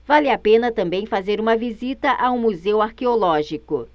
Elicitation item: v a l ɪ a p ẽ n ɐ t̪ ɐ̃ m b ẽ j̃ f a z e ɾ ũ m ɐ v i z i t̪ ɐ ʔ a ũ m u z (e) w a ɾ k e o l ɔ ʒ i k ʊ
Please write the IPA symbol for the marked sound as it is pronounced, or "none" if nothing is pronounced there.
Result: e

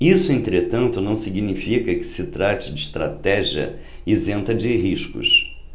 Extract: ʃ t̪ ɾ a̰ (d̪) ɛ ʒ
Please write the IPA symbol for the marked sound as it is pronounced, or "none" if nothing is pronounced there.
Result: t̪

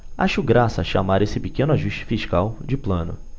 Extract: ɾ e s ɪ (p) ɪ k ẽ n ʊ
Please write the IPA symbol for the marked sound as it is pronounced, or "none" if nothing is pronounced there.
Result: p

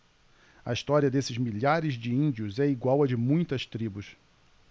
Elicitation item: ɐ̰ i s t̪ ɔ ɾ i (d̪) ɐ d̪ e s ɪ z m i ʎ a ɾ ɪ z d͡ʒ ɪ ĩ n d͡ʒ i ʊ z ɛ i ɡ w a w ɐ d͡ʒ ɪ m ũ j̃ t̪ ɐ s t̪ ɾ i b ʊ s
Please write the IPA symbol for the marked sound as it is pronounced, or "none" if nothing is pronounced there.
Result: none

